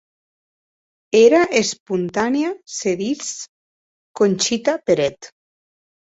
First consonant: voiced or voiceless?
voiced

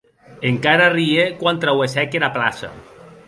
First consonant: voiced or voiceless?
voiced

